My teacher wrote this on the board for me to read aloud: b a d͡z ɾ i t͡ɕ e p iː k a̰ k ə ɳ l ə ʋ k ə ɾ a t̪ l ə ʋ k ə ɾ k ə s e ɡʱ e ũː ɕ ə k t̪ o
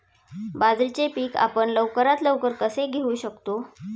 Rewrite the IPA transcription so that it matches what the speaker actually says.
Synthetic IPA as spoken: b a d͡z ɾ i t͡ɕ e p iː k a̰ p ə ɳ l ə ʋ k ə ɾ a t̪ l ə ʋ k ə ɾ k ə s e ɡʱ e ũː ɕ ə k t̪ o